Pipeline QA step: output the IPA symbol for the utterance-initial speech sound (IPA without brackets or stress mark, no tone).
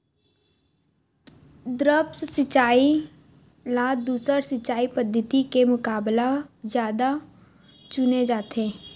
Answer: d̪